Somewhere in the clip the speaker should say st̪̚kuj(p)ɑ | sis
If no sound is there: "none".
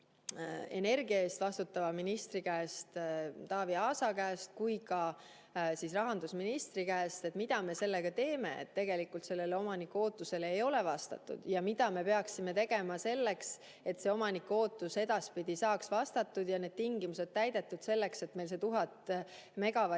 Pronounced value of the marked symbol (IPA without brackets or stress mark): k